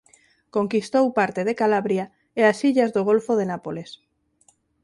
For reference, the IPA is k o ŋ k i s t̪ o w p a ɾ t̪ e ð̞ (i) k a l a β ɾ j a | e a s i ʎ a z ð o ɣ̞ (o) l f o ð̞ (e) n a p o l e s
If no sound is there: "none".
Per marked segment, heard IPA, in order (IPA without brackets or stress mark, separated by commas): e, o, e